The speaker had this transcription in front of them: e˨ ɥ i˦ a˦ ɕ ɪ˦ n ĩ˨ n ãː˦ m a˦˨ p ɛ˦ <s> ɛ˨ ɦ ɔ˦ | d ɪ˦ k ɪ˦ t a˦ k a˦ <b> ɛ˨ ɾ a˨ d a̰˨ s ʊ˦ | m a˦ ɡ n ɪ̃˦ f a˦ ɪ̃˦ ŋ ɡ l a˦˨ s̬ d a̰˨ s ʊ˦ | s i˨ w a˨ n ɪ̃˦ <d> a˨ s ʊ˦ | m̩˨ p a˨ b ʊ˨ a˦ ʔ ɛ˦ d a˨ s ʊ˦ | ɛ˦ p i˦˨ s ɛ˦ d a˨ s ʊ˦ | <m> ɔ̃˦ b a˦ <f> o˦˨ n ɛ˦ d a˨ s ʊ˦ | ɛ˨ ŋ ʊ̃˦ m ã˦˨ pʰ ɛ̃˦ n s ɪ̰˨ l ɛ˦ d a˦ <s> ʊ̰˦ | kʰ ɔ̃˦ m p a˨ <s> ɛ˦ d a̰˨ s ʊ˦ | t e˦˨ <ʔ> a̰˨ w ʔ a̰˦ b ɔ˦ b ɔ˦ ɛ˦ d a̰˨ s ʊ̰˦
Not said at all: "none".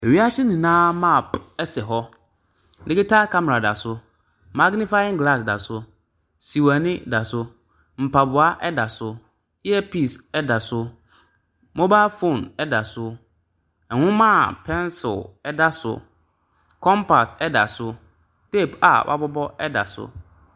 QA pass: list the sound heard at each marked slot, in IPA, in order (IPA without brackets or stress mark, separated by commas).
s, m, d, m, f, s, s, p